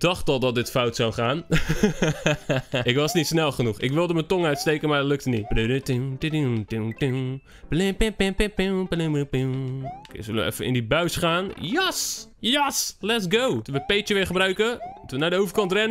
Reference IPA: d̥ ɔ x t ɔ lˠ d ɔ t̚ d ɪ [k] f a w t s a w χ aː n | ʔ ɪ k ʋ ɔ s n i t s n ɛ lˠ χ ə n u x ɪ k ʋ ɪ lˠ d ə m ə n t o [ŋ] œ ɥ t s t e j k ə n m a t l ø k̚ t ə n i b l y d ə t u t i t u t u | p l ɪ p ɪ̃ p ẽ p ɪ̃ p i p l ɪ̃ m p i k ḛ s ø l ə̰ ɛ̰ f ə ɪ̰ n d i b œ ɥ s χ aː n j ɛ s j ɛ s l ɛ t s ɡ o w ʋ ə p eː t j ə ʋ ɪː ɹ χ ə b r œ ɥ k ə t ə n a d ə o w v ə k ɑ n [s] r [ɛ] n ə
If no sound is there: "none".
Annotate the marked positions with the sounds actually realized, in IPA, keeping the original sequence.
t, ŋ, t, ɛ

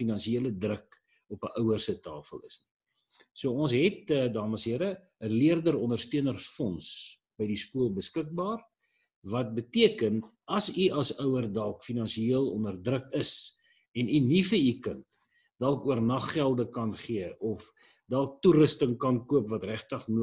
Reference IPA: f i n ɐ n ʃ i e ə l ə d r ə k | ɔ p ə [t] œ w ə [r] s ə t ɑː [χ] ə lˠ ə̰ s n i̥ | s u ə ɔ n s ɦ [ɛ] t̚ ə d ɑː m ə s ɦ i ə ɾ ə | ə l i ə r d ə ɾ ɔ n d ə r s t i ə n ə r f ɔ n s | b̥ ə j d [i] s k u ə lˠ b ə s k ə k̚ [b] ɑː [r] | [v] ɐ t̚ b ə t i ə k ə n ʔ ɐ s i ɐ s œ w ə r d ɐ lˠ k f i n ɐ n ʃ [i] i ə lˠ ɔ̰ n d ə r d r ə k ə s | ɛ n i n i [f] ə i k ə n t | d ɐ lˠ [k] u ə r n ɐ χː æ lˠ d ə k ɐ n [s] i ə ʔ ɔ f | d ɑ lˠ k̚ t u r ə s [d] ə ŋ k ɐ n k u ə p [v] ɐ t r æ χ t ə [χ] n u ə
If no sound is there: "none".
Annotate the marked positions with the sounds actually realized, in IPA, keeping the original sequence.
ʔ, r, f, ɛ, i, b, r, v, i, f, k, χ, t, v, χ

